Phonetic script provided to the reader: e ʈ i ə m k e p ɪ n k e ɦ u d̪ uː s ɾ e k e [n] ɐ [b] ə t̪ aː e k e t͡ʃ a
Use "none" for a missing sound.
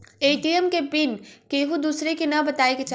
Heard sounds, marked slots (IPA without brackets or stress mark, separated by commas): n, b